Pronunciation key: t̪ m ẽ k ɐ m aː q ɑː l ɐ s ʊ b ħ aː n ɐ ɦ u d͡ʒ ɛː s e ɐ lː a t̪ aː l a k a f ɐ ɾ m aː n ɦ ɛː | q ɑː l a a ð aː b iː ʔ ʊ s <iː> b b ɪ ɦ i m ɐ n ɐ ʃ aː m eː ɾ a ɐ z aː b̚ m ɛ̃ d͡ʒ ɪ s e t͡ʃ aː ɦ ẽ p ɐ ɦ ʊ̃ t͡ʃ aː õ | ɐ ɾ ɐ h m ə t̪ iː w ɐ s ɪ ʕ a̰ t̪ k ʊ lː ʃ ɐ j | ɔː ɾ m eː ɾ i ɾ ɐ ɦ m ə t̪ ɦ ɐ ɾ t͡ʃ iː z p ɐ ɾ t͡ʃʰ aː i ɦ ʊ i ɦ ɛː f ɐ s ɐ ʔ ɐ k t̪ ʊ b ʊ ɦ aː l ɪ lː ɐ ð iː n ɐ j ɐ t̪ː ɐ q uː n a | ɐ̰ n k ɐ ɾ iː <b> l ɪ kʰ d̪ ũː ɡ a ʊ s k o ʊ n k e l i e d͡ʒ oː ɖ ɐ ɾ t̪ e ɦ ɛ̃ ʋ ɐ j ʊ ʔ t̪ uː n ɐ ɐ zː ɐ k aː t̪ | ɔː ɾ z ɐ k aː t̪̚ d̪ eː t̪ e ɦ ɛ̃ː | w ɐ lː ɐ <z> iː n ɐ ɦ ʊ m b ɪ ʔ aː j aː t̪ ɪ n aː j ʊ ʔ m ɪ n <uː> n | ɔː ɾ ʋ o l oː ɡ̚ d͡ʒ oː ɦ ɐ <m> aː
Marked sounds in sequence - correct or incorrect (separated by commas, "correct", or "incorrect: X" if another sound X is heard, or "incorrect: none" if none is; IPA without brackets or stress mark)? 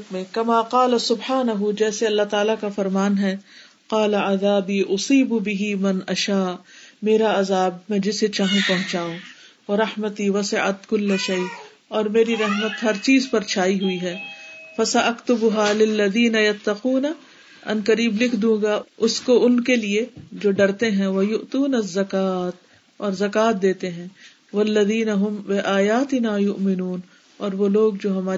correct, correct, incorrect: ð, correct, correct